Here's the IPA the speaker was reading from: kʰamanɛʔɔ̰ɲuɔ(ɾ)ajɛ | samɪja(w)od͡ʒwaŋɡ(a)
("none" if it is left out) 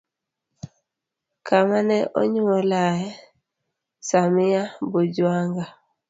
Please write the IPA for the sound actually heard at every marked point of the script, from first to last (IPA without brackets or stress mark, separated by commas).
l, b, a